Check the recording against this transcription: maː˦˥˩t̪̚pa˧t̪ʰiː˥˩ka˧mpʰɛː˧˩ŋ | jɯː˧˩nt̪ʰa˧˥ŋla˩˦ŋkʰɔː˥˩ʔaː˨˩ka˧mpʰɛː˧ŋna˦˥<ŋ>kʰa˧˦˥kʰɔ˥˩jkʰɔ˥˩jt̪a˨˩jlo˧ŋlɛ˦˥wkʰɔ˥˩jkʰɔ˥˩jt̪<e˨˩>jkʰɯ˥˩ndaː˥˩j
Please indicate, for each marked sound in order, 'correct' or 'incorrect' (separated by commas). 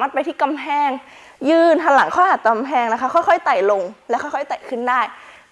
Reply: incorrect, incorrect